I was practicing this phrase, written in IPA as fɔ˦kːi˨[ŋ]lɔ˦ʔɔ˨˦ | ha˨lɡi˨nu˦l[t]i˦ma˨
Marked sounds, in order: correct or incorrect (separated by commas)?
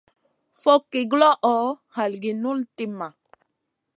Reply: incorrect, correct